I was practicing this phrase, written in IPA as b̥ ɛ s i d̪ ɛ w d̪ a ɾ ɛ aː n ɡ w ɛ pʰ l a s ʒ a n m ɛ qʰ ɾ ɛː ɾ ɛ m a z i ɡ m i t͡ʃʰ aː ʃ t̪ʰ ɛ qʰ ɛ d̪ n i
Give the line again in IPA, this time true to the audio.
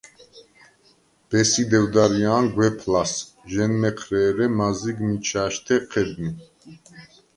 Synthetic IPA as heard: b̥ ɛ s i d̪ ɛ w d̪ a ɾ i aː n ɡ w ɛ pʰ l a s ʒ ɛ n m ɛ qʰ ɾ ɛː ɾ ɛ m a z i ɡ m i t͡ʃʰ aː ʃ t̪ʰ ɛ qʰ ɛ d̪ n i